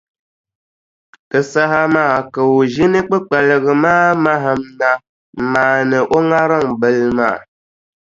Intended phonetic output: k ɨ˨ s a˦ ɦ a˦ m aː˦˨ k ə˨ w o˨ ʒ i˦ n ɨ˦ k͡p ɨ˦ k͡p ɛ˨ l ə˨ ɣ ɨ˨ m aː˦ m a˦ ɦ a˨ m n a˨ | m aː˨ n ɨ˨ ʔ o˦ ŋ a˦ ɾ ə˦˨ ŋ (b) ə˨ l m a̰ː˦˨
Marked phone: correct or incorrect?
correct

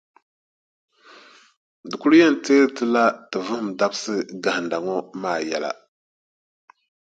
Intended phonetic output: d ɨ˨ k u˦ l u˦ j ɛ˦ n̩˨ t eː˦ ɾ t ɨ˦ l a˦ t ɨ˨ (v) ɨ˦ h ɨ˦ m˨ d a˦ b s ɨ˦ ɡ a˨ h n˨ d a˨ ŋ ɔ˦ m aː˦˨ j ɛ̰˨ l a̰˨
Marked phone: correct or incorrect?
correct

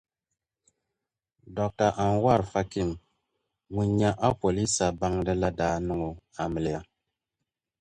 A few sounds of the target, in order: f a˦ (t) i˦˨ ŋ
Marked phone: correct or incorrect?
incorrect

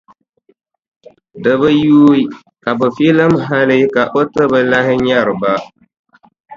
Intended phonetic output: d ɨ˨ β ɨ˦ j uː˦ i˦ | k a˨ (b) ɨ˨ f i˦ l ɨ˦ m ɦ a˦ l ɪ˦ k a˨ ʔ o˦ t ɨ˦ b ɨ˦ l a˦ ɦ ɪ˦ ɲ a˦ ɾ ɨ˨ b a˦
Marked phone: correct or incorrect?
correct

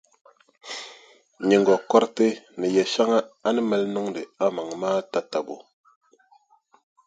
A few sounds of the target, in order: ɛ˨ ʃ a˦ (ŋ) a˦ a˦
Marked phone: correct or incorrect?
correct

